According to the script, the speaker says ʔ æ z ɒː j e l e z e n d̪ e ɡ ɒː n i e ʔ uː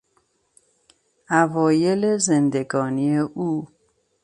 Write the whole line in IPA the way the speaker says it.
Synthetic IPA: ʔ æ v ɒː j e l e z e n d̪ e ɡ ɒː n i e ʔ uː